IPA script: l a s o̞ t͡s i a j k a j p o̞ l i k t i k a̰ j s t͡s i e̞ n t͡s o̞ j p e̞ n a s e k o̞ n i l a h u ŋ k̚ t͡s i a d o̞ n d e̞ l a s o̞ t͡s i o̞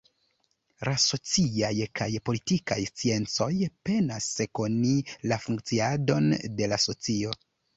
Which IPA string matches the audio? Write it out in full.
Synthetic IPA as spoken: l a s o̞ t͡s i a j k a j p o̞ l i t i k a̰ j s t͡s i e̞ n t͡s o̞ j p e̞ n a s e k o̞ n i l a f u ŋ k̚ t͡s i a d o̞ n d e̞ l a s o̞ t͡s i o̞